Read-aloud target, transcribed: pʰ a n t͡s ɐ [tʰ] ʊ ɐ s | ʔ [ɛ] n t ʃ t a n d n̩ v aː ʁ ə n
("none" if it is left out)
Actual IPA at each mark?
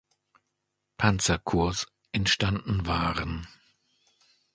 kʰ, ɛ

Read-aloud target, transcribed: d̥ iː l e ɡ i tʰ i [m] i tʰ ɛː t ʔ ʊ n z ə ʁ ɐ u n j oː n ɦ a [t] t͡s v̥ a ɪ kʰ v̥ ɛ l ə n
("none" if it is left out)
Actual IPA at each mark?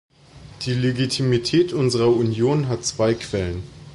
m, t

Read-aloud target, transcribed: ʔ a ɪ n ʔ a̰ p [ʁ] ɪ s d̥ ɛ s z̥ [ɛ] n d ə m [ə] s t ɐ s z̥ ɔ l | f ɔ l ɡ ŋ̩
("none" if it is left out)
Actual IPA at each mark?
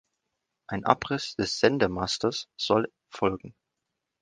ʁ, ɛ, a

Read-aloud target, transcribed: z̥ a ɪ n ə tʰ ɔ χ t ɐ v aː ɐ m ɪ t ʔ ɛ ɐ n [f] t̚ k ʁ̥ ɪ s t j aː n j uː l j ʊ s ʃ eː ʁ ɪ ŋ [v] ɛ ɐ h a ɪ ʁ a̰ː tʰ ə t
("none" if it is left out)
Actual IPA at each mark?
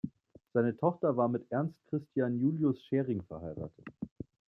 s, f

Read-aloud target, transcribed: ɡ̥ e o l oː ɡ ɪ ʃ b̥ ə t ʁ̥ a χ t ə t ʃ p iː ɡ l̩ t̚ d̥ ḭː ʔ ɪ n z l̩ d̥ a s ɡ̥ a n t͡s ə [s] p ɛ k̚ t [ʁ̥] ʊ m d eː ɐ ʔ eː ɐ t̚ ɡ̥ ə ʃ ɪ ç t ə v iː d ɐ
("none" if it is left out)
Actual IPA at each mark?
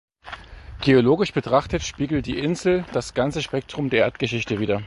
ʃ, ʁ̥

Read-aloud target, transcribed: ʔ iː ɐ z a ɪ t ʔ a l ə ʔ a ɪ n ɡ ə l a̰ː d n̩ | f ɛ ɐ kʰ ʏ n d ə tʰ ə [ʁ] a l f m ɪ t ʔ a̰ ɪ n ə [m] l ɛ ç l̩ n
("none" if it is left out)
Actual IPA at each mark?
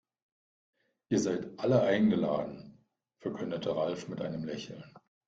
ʁ, m

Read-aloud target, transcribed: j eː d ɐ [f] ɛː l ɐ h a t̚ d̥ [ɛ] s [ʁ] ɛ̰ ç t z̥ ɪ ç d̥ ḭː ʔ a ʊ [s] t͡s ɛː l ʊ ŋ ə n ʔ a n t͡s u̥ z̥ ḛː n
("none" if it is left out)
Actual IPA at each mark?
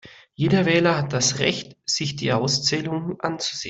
v, a, ʁ, s

